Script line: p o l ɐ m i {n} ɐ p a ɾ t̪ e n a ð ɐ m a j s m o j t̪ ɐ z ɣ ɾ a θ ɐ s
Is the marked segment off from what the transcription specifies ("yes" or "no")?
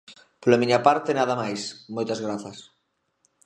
yes